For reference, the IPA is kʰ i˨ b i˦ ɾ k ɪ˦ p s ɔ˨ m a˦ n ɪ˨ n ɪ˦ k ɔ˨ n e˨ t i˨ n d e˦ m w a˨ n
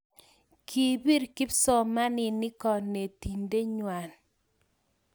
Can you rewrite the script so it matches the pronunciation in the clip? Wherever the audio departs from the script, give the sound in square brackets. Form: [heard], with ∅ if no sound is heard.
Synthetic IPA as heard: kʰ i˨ b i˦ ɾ k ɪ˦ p s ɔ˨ m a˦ n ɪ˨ n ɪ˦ k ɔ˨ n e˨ t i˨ n d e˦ [ɲ] w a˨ n